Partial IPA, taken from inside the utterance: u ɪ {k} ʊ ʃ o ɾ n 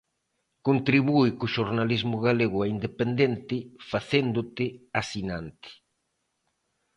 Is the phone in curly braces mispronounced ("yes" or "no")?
no